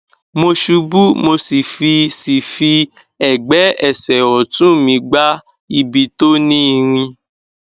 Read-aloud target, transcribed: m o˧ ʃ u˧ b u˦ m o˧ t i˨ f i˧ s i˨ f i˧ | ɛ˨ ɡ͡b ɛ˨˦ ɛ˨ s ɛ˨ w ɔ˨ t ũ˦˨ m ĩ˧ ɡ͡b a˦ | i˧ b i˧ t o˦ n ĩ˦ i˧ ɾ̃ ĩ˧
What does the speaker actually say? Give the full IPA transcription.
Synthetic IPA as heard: m o˧ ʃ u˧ b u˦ m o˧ s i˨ f i˧ s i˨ f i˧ | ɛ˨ ɡ͡b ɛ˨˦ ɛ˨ s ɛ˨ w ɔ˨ t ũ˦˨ m ĩ˧ ɡ͡b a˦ | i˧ b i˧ t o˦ n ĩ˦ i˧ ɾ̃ ĩ˧